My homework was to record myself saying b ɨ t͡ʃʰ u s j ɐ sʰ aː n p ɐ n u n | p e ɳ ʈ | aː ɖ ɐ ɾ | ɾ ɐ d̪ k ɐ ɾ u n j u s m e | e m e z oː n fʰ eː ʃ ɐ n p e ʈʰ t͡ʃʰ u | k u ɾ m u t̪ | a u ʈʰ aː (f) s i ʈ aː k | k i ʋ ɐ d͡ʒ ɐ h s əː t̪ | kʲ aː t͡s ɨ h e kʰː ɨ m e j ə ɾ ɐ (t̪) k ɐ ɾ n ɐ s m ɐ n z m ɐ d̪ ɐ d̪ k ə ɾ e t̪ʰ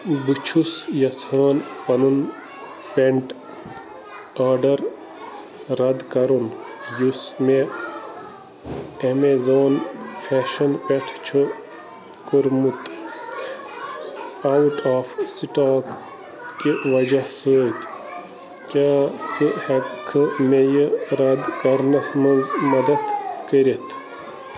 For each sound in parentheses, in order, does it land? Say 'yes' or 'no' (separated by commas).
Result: yes, no